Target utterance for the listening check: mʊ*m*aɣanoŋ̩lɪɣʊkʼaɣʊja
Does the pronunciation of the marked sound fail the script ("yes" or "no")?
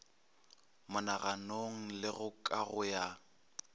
yes